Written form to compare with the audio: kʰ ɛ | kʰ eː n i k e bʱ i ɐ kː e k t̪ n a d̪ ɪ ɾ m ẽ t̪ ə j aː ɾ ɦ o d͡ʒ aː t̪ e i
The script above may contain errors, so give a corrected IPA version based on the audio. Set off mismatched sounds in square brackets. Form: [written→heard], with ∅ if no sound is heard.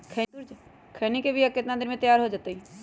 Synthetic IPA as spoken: kʰ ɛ | kʰ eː n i k e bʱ i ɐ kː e [k→∅] t̪ n a d̪ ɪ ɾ m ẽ t̪ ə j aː ɾ ɦ o d͡ʒ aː t̪ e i